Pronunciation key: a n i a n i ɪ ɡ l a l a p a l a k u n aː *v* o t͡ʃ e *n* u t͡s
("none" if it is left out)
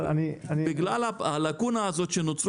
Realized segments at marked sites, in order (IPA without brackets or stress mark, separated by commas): z, n